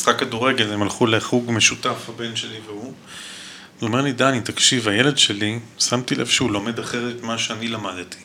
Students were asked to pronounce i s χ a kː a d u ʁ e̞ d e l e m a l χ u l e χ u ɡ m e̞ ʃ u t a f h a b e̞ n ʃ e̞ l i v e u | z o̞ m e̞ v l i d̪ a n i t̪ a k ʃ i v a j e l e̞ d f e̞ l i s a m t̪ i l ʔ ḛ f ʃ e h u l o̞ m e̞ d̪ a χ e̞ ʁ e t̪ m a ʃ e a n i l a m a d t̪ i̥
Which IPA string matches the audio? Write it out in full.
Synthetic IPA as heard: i s χ a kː a d u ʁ e̞ ɡ e l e m a l χ u l e χ u ɡ m e̞ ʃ u t a f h a b e̞ n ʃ e̞ l i v e u | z o̞ m e̞ ʁ l i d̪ a n i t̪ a k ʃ i v a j e l e̞ d ʃ e̞ l i s a m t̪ i l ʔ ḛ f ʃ e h u l o̞ m e̞ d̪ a χ e̞ ʁ e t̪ m a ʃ e a n i l a m a d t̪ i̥